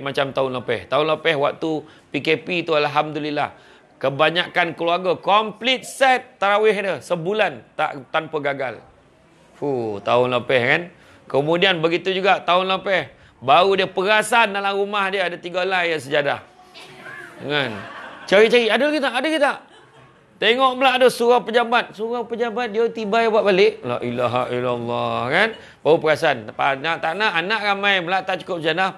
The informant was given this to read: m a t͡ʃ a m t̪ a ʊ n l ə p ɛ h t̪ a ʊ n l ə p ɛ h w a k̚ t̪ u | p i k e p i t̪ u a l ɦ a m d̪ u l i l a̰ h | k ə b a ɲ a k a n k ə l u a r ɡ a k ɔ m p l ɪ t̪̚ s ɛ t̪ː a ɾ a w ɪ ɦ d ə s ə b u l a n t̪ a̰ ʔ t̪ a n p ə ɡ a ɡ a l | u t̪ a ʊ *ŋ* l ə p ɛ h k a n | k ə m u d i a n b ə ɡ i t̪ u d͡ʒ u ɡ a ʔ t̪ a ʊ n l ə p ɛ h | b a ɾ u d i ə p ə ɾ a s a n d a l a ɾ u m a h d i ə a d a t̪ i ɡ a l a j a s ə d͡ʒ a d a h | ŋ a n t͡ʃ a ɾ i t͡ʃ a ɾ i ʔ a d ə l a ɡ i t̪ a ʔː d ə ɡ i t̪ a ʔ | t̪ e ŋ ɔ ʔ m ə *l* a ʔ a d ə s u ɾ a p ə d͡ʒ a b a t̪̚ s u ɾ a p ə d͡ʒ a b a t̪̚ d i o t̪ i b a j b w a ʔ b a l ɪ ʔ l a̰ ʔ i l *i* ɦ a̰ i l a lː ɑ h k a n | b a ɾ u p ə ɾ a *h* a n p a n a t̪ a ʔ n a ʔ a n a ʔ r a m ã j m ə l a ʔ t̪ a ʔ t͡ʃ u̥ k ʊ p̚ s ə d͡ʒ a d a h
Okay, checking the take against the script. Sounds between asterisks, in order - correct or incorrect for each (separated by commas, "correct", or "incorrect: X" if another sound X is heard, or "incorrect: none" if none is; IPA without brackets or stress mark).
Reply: incorrect: n, correct, incorrect: a, incorrect: s